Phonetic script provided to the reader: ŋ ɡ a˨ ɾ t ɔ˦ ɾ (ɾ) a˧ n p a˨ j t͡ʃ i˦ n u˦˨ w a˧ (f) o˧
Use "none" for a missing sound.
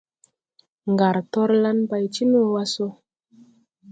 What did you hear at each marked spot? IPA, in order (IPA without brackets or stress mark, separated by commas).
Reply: l, s